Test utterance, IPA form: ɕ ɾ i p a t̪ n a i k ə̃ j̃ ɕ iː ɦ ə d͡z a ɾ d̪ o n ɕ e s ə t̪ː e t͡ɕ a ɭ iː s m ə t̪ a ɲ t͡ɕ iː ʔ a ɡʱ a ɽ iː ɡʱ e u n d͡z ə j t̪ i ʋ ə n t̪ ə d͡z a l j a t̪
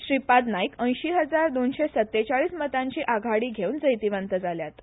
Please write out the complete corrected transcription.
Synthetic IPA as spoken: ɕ ɾ i p a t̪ n a i k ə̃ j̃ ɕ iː ɦ ə d͡z a ɾ d̪ o n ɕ e s ə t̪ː e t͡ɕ a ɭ iː s m ə t̪ a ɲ t͡ɕ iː ʔ a ɡʱ a ɽ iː ɡʱ e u n d͡z ə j t̪ i ʋ ə n t̪ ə d͡z a l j a t̪